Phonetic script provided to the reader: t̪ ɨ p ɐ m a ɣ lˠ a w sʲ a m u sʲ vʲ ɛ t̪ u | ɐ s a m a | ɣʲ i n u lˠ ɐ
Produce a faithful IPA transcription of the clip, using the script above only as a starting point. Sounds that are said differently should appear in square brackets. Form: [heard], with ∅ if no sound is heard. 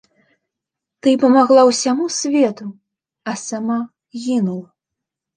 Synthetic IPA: t̪ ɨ p ɐ m a ɣ lˠ a w sʲ a m u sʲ vʲ ɛ t̪ u | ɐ s a m a | ɣʲ i n u lˠ ɐ